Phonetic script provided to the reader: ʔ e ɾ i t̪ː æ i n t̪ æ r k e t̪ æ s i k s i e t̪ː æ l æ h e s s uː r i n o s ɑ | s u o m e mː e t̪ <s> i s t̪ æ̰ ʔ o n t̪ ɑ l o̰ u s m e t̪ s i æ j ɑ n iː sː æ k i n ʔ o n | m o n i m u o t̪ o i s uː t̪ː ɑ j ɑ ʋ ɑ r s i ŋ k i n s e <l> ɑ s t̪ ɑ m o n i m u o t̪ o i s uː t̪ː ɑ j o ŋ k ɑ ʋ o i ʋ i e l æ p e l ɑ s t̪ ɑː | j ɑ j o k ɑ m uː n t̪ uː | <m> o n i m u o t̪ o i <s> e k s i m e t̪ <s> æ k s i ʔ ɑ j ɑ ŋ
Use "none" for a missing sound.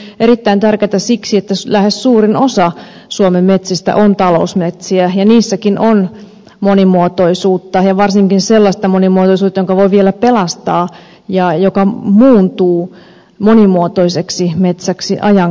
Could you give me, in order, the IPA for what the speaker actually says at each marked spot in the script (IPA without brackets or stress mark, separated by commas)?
s, lː, m, s, s